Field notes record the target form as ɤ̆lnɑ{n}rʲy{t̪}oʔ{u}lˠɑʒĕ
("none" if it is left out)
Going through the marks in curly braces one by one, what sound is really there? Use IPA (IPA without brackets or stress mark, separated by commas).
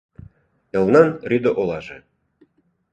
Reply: n, d̪, o